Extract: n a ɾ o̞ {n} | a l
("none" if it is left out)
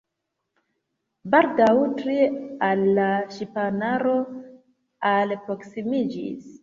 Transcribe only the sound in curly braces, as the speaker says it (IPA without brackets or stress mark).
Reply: none